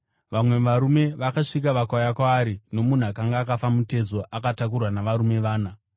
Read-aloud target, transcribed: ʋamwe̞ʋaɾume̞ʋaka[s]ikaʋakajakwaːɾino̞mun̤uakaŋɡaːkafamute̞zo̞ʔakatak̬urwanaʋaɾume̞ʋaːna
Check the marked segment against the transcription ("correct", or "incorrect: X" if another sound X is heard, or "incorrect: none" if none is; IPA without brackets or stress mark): incorrect: ʂ